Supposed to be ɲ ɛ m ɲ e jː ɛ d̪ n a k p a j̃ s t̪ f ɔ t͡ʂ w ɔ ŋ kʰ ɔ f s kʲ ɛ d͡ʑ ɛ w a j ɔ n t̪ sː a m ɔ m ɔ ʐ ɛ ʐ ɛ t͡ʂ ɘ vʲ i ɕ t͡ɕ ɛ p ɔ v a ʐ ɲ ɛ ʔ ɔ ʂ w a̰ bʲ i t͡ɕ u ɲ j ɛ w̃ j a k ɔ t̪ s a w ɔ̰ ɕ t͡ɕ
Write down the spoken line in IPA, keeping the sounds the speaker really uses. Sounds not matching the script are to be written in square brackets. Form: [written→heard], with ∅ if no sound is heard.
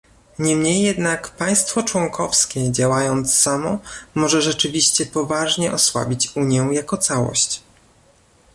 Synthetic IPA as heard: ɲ ɛ m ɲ e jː ɛ d̪ n a k p a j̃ s t̪ f ɔ t͡ʂ w ɔ ŋ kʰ ɔ f s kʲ ɛ d͡ʑ [ɛ→a] w a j ɔ n t̪ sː a m ɔ m ɔ ʐ ɛ ʐ ɛ t͡ʂ ɘ vʲ i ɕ t͡ɕ ɛ p ɔ v a ʐ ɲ ɛ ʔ ɔ [ʂ→s] w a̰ bʲ i t͡ɕ u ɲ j ɛ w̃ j a k ɔ t̪ s a w ɔ̰ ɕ t͡ɕ

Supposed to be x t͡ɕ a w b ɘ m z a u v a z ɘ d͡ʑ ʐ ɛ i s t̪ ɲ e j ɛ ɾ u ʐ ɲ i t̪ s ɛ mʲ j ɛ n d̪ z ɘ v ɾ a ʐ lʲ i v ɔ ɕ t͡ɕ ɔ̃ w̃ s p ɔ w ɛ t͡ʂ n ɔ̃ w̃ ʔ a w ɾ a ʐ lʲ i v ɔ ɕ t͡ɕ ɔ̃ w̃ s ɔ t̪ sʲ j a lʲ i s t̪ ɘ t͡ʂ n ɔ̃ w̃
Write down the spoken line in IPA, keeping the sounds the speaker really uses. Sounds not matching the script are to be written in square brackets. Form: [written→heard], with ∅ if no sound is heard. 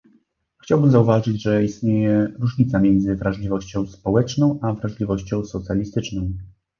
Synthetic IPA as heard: x t͡ɕ a w b ɘ m z a u v a [z→ʐ] ɘ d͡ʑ ʐ ɛ i s t̪ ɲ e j ɛ ɾ u ʐ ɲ i t̪ s [ɛ→a] mʲ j ɛ n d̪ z ɘ v ɾ a ʐ lʲ i v ɔ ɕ t͡ɕ ɔ̃ w̃ s p ɔ w ɛ t͡ʂ n ɔ̃ w̃ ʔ a [w→v] ɾ a ʐ lʲ i v ɔ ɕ t͡ɕ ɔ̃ w̃ s ɔ t̪ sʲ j a lʲ i s t̪ ɘ t͡ʂ n ɔ̃ w̃

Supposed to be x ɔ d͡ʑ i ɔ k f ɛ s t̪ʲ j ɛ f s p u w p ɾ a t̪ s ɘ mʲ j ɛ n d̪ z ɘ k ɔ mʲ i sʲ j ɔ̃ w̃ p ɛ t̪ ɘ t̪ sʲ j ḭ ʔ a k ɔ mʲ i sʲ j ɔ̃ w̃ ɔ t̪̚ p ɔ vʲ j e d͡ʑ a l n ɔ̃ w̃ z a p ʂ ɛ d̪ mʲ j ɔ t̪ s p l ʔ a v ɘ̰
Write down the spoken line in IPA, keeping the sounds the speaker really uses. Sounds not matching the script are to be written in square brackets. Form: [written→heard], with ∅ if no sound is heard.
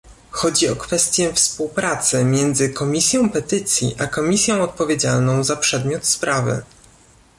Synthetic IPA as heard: x ɔ d͡ʑ i ɔ k f ɛ s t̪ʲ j ɛ f s p u w p ɾ a t̪ s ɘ mʲ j ɛ n d̪ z ɘ k ɔ mʲ i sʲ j ɔ̃ w̃ p ɛ t̪ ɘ t̪ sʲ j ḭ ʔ a k ɔ mʲ i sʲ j ɔ̃ w̃ ɔ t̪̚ p ɔ vʲ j e d͡ʑ a l n ɔ̃ w̃ z a p ʂ ɛ d̪ mʲ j ɔ t̪ s p [l→ɾ] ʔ a v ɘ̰

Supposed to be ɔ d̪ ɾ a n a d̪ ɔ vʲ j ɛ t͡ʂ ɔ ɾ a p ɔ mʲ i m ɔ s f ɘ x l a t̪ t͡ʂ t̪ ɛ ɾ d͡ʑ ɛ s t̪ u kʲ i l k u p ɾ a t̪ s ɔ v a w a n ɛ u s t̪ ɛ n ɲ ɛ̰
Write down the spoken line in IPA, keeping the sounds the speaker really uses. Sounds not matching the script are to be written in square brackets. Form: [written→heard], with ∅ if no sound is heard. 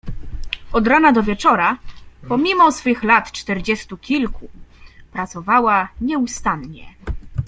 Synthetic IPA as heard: ɔ d̪ ɾ a n a d̪ ɔ vʲ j ɛ t͡ʂ ɔ ɾ a p ɔ mʲ i m ɔ s f ɘ x l a t̪ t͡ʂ t̪ ɛ ɾ d͡ʑ ɛ s t̪ u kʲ i l k u p ɾ a t̪ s ɔ v a w a [n→ɲ] ɛ u s t̪ [ɛ→a] n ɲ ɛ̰

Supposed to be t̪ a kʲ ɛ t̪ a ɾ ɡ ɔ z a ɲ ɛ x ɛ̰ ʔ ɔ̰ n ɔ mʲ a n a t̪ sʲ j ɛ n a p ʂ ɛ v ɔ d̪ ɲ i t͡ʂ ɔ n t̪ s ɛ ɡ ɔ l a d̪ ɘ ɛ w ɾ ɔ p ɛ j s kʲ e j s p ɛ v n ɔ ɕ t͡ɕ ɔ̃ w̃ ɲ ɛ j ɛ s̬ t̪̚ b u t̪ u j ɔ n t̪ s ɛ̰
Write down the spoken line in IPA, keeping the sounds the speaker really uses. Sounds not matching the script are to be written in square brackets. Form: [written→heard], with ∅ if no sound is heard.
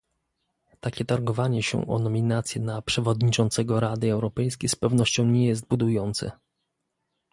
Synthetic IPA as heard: t̪ a kʲ ɛ t̪ a ɾ ɡ ɔ [z→v] a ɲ ɛ [x→ɕ] ɛ̰ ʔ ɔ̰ n ɔ mʲ [a→i] n a t̪ sʲ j ɛ n a p ʂ ɛ v ɔ d̪ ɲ i t͡ʂ ɔ n t̪ s ɛ ɡ ɔ [l→ɾ] a d̪ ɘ ɛ w ɾ ɔ p ɛ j s kʲ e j s p ɛ v n ɔ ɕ t͡ɕ ɔ̃ w̃ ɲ ɛ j ɛ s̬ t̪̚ b u [t̪→d̪] u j ɔ n t̪ s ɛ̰

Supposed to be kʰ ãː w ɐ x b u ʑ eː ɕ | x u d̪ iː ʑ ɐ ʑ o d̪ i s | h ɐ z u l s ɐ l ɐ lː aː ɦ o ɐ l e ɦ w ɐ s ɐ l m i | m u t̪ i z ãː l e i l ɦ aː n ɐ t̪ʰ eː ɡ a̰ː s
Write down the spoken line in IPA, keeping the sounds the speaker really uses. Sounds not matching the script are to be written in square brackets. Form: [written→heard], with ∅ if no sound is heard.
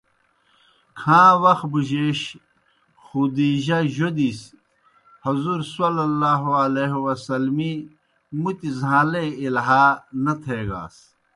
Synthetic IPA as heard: kʰ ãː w ɐ x b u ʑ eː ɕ | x u d̪ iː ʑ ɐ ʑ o d̪ i s | h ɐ z u [l→ɾ] s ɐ l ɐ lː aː ɦ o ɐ l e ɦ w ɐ s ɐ l m i | m u t̪ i z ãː l e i l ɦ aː n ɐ t̪ʰ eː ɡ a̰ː s

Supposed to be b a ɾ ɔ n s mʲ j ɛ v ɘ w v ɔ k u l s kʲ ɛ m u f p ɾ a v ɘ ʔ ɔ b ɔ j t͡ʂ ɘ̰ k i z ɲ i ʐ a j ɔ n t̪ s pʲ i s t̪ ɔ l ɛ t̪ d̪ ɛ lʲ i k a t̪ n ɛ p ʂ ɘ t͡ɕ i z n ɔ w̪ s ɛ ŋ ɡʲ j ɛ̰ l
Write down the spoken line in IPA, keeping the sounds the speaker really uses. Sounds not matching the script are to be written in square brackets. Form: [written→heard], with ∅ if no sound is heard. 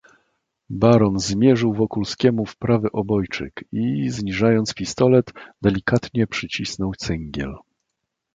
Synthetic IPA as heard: b a ɾ ɔ n [s→z] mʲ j ɛ [v→ʐ] ɘ w v ɔ k u l s kʲ ɛ m u f p ɾ a v ɘ ʔ ɔ b ɔ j t͡ʂ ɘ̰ k i z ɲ i ʐ a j ɔ n t̪ s pʲ i s t̪ ɔ l ɛ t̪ d̪ ɛ lʲ i k a t̪ [n→ɲ] ɛ p ʂ ɘ t͡ɕ i [z→s] n ɔ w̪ s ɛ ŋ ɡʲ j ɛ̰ l

